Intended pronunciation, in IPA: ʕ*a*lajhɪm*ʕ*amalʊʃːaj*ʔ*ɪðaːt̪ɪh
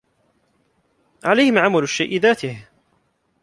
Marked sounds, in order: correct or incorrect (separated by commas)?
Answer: correct, correct, correct